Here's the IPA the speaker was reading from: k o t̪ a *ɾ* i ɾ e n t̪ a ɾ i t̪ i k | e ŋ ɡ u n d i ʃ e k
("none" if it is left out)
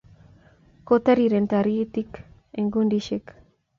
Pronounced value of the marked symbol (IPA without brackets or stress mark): ɾ